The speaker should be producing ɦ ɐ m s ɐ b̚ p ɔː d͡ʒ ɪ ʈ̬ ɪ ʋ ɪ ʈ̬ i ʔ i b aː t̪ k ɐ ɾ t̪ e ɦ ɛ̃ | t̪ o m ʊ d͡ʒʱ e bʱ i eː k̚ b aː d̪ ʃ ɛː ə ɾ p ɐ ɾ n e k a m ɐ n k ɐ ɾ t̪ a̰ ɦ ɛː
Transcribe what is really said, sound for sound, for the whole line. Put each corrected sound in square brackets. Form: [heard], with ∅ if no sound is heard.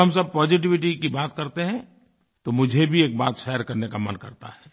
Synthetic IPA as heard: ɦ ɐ m s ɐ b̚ p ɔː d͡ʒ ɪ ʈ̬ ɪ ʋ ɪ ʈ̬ i [k] i b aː t̪ k ɐ ɾ t̪ e ɦ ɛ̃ | t̪ o m ʊ d͡ʒʱ e bʱ i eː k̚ b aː [t̪] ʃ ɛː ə ɾ [k] ɐ ɾ n e k a m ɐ n k ɐ ɾ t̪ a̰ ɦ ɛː